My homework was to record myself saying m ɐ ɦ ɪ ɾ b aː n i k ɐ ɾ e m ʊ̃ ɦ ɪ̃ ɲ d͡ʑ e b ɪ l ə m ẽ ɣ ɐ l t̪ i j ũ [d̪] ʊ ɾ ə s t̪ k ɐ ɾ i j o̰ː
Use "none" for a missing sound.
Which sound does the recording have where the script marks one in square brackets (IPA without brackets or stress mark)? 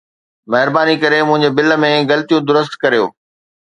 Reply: d̪